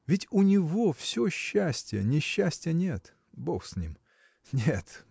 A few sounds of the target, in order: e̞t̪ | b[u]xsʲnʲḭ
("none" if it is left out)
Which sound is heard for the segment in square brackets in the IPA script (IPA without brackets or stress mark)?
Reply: o